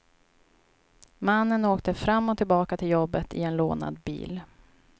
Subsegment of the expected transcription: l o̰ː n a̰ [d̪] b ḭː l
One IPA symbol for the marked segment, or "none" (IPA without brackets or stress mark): d̪